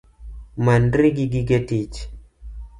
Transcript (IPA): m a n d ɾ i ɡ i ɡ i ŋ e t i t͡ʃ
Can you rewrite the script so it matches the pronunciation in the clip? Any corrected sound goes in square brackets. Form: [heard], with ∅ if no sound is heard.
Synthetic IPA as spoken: m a n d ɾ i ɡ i ɡ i [ɡ] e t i t͡ʃ